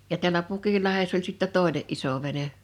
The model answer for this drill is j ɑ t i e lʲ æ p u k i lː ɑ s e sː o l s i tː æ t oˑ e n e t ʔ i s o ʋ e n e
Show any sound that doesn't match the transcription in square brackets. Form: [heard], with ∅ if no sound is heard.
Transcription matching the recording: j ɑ t i [æ] lʲ æ p u k i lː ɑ [h] e sː o l s i tː æ t oˑ e n e [ʔ] ʔ i s o ʋ e n e

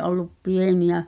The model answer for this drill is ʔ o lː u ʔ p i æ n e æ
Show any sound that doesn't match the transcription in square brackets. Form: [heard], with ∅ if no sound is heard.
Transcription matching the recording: ʔ o lː u [p] p i [e] n [i] æ

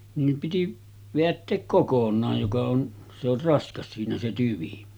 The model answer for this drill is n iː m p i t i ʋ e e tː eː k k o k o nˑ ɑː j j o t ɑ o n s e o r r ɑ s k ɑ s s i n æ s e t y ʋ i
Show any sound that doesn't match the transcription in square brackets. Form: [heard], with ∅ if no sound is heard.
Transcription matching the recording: n iː m p i t i ʋ e [æ] tː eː k k o k o nˑ ɑː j j o [k] ɑ o n s e o r r ɑ s k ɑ s s [iː] n æ s e t y ʋ i

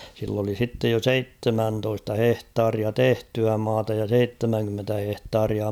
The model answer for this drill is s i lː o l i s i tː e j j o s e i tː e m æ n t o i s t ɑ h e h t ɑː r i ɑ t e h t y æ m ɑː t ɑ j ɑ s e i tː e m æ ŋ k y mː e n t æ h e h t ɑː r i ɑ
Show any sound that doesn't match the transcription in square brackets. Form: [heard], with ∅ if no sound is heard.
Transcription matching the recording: s i lː o l i s i tː e j j o s e i tː e m æ n t o i s t ɑ h e h t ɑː r i ɑ t e h t y æ m ɑː t ɑ j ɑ s e i tː e m æ ŋ k y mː e n t æ h e h t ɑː r i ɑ

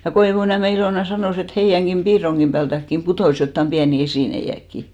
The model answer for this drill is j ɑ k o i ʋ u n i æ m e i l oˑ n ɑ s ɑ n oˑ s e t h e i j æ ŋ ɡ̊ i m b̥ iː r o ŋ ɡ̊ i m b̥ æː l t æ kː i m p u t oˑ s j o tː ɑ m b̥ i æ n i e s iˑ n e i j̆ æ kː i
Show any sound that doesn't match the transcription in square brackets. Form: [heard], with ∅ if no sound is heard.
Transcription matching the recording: j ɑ k o i ʋ u n i æ m e i l oˑ n ɑ s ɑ n oˑ s e t h e i j æ ŋ ɡ̊ i m b̥ iː r o ŋ ɡ̊ i m b̥ æː l t æ kː i m p u t oˑ s j o tː ɑ m b̥ i æ n i e s iˑ n e i j̆ æ kː i

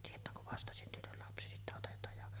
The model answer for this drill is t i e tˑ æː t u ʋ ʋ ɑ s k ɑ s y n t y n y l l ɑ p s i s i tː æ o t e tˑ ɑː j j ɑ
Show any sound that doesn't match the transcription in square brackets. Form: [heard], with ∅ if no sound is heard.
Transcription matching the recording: t i e tˑ æː [k] u ʋ ʋ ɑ s [t] ɑ s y n t y n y l l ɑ p s i s i tː æ o t e tˑ ɑː j j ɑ

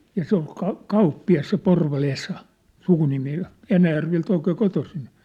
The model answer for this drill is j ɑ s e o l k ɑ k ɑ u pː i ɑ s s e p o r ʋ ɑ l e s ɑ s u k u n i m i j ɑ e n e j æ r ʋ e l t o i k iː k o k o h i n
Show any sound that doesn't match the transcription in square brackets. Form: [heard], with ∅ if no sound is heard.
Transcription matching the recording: j ɑ s e o l k ɑ k ɑ u pː i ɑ s s e p o r ʋ ɑ l e s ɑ s u k u n i m i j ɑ e n [æ] j æ r ʋ e l t o i k [eː] k o [t] o [s] i n

